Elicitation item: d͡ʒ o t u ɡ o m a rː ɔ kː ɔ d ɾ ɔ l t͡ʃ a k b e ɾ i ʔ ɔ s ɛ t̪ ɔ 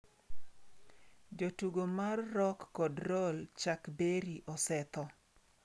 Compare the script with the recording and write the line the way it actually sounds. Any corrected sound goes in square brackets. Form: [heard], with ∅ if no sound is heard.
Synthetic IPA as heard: d͡ʒ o t u ɡ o m a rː ɔ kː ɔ d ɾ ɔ l t͡ʃ a k b e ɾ i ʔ ɔ s ɛ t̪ ɔ